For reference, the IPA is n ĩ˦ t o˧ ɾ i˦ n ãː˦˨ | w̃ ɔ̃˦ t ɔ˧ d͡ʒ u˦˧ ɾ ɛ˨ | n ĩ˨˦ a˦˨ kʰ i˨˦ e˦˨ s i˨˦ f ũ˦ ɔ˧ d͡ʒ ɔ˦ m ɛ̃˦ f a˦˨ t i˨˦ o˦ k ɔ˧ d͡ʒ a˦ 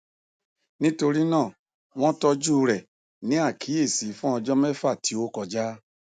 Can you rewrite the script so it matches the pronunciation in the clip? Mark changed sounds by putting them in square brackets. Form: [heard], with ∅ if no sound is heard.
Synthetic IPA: n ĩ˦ t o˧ ɾ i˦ n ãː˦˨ | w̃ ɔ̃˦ t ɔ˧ d͡ʒ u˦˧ ɾ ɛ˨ | n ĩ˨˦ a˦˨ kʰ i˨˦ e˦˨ s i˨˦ f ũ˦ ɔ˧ d͡ʒ ɔ˦ m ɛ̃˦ f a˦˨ t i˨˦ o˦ k ɔ˧ d͡ʒ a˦